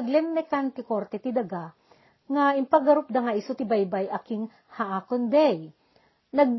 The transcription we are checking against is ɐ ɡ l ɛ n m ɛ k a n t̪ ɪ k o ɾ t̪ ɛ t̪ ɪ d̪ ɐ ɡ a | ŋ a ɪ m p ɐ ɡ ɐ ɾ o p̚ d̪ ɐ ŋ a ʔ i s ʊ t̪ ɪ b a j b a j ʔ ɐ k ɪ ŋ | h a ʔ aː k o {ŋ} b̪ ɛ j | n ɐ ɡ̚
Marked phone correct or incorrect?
incorrect